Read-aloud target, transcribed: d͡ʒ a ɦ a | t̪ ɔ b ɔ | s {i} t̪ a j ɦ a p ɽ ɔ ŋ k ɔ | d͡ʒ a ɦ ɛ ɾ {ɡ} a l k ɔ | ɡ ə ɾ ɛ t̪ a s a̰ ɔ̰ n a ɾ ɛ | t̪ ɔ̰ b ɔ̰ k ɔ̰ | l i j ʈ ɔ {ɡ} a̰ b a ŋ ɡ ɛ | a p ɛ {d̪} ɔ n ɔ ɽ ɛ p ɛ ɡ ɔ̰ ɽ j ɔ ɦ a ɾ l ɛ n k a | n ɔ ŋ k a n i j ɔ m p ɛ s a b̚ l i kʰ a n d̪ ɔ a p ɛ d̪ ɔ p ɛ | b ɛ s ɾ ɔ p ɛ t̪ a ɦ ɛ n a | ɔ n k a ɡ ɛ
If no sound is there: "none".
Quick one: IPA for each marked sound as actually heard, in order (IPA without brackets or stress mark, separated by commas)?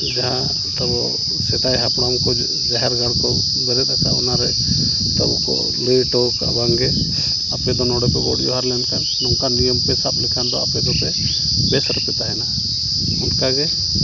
ɛ, ɡ, k, d̪